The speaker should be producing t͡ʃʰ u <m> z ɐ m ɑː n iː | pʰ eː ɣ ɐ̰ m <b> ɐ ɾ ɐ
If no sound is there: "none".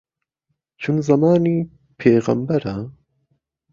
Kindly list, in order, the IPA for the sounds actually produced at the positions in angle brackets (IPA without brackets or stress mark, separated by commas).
n, b